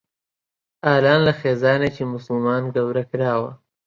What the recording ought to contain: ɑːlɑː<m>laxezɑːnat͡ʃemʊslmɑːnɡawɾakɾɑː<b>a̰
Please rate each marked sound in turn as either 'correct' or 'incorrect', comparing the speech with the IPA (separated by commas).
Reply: incorrect, incorrect